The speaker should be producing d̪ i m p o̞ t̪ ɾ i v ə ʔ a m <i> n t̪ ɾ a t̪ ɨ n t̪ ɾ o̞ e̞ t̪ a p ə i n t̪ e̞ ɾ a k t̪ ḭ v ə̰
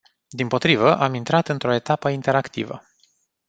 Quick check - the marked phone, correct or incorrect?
correct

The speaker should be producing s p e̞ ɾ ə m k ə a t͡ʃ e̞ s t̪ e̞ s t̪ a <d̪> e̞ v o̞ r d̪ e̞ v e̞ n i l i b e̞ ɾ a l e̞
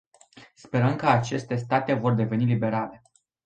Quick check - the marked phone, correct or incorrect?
incorrect: t̪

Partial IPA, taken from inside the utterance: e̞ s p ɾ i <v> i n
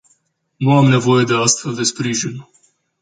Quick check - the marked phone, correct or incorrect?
incorrect: ʒ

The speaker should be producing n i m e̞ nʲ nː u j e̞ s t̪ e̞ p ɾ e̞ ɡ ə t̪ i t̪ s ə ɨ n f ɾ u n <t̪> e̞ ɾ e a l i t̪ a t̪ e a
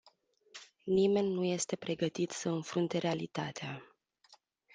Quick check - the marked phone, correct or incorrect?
correct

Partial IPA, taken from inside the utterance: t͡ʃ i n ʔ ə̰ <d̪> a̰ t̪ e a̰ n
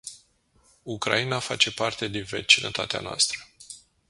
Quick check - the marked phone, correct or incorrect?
incorrect: t̪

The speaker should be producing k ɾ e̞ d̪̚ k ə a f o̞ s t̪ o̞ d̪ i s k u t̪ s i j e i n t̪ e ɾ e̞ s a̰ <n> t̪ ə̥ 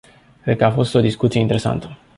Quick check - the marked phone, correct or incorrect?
correct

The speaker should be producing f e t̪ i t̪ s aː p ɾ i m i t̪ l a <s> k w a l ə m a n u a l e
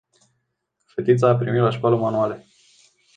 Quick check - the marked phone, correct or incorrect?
incorrect: ʃ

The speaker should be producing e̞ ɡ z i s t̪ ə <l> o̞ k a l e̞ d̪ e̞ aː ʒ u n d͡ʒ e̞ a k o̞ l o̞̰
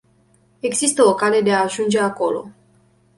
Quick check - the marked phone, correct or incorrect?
incorrect: none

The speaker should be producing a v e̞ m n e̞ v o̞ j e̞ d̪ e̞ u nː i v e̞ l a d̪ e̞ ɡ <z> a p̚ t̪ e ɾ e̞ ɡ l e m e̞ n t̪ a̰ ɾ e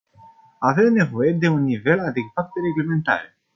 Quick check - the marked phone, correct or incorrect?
incorrect: v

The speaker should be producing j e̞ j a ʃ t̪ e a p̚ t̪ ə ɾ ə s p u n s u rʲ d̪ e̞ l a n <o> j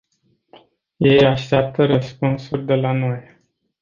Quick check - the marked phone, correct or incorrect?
correct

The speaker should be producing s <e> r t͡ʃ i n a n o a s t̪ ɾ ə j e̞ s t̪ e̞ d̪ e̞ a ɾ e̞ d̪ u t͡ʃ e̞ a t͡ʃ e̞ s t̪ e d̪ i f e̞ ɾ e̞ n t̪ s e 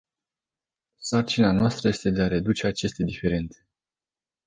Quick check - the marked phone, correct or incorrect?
incorrect: a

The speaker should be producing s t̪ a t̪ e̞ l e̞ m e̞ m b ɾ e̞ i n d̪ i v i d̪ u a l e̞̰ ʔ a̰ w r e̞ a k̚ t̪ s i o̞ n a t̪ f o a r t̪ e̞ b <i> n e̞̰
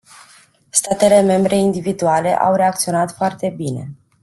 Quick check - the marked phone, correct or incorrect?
correct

